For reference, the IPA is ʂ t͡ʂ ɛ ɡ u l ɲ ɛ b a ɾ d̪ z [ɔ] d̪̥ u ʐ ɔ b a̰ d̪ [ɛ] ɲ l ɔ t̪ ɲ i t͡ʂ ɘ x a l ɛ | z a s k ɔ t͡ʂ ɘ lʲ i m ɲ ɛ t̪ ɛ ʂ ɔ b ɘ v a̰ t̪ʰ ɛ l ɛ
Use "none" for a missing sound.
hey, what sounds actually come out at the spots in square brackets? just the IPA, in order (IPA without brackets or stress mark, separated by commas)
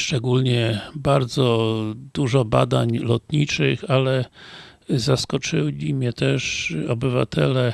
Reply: ɔ, a